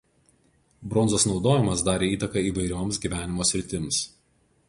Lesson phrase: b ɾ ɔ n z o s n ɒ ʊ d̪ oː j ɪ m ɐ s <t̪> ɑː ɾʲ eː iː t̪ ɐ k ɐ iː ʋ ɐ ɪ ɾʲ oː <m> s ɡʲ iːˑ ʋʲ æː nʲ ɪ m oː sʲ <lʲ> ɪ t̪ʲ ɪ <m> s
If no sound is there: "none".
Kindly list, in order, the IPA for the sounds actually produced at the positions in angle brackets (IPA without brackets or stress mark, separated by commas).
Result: d̪, m, ɾʲ, m